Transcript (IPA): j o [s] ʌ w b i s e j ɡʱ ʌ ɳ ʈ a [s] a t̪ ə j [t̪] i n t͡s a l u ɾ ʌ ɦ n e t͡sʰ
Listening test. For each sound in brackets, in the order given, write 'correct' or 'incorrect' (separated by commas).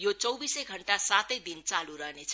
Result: incorrect, correct, incorrect